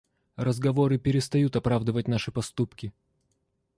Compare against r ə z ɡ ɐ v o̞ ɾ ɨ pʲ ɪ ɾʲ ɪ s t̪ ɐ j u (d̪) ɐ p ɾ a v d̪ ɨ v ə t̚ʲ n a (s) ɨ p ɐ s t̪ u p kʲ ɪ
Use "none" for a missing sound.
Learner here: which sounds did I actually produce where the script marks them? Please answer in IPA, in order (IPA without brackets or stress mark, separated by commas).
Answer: t̪, ʂ